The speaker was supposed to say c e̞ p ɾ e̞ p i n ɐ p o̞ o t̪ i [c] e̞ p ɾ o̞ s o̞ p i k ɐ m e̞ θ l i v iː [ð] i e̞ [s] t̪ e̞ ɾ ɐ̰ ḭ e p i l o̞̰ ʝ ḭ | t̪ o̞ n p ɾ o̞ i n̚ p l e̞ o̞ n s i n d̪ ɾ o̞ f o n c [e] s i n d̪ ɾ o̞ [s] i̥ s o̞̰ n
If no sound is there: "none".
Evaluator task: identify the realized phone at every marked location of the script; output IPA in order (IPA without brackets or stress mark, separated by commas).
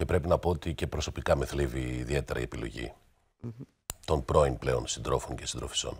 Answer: c, ð, none, e, f